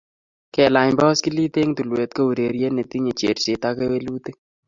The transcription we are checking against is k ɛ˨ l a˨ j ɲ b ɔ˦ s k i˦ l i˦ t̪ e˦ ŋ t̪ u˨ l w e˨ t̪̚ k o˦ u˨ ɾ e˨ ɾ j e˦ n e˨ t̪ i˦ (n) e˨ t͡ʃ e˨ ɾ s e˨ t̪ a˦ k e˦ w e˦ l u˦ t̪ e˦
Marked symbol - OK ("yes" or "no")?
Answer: no